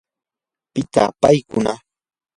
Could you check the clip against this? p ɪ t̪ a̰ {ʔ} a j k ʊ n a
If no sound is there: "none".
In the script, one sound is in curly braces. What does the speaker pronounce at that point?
p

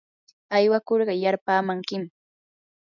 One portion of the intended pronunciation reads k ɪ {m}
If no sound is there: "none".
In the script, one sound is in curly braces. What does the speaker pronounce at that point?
m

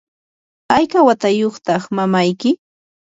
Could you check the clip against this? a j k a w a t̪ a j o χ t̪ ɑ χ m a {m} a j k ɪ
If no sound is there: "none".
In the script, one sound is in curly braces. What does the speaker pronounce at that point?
m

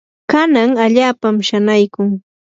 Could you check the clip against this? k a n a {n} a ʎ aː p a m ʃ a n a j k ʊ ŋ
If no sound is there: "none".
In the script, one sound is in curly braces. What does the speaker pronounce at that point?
ŋ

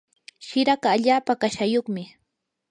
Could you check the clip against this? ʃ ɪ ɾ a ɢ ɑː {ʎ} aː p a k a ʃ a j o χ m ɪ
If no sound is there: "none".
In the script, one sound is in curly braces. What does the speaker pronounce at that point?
ʎ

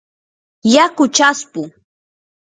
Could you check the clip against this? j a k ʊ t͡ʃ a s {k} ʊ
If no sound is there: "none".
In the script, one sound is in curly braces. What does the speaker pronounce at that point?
p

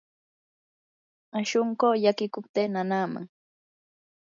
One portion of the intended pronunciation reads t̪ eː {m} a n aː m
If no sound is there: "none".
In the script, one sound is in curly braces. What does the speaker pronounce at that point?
n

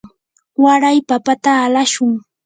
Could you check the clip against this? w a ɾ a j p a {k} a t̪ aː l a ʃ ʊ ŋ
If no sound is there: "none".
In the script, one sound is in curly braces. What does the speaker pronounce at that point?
p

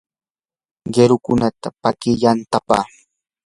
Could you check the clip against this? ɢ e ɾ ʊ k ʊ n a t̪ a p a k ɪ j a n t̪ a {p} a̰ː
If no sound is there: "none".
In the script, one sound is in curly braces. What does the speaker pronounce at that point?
p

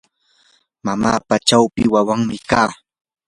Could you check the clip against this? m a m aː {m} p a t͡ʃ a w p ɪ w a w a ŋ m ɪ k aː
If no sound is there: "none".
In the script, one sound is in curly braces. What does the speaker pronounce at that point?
none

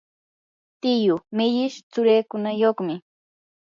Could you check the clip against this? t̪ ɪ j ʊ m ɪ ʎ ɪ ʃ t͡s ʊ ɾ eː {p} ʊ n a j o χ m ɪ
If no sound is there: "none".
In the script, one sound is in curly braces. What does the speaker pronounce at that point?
k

